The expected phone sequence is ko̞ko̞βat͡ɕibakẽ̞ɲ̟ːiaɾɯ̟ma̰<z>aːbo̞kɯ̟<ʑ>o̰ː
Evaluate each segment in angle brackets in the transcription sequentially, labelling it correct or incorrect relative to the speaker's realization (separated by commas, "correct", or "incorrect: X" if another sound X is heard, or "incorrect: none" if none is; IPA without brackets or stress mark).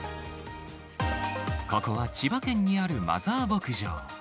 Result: correct, correct